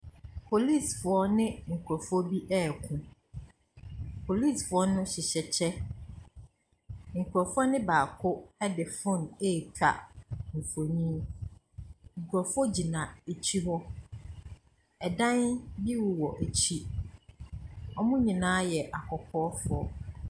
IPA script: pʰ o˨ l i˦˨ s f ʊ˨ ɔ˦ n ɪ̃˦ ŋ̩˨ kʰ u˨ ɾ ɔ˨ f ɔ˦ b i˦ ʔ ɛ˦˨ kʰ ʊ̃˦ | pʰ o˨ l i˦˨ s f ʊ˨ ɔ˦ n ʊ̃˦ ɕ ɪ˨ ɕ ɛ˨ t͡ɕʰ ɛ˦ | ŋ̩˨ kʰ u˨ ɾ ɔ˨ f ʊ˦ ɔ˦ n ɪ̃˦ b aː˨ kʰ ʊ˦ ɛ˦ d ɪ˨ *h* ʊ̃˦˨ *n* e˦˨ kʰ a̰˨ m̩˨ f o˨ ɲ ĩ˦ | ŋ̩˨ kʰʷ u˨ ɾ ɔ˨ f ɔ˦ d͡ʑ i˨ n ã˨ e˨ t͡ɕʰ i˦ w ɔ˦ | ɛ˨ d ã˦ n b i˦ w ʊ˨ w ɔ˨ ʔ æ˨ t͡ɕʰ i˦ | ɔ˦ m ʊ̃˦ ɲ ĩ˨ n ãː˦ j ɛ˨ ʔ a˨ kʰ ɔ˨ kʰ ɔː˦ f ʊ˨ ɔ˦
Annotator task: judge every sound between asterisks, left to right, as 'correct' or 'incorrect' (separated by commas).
incorrect, correct